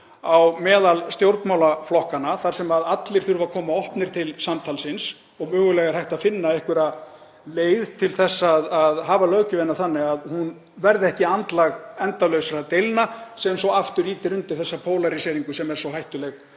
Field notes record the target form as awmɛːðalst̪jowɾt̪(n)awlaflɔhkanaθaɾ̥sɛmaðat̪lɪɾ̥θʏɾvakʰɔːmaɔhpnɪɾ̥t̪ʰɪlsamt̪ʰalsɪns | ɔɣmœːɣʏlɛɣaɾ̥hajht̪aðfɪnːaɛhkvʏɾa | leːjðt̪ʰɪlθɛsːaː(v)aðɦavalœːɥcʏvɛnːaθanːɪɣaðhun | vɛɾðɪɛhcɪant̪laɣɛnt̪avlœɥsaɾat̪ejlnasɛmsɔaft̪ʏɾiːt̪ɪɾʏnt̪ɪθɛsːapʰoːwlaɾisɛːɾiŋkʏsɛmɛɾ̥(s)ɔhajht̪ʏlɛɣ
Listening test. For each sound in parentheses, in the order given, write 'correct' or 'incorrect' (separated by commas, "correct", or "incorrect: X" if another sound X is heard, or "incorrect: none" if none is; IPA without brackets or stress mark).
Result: incorrect: m, incorrect: ð, correct